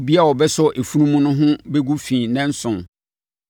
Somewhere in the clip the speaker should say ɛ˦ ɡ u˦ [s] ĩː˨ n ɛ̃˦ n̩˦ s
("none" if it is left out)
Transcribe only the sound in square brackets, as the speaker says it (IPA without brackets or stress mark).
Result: f